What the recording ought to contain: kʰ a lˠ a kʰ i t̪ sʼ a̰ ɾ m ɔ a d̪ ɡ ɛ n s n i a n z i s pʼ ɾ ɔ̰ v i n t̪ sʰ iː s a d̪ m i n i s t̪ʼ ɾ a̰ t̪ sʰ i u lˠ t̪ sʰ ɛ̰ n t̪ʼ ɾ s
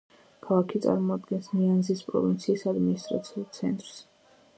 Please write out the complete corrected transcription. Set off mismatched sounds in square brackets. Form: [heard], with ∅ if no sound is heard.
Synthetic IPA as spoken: kʰ a lˠ a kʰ i t̪ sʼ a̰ ɾ m ɔ a d̪ ɡ ɛ n s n i a n z i s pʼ ɾ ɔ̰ v i n t̪ sʰ iː s a d̪ m i n i s t̪ʼ ɾ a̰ t̪ sʰ i u lˠ t̪ sʰ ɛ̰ n t̪ʼ ɾ s